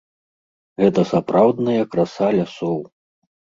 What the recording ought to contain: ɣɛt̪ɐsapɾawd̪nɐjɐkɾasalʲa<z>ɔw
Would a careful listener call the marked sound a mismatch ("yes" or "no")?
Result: yes